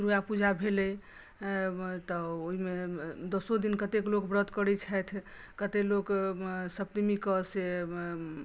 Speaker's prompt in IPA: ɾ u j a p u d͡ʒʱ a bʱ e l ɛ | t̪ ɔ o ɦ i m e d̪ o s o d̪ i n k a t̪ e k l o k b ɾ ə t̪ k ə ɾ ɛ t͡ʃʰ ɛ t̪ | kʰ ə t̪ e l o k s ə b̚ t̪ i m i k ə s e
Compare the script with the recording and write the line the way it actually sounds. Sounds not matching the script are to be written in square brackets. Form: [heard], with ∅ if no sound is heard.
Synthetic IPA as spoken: ɾ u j a p u d͡ʒʱ a bʱ e l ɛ | t̪ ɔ o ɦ i m e d̪ o s o d̪ i n k [ə] t̪ e k l o k b ɾ ə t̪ k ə ɾ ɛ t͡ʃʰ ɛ [t̪ʰ] | [k] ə t̪ e l o k s ə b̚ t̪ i m i k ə s e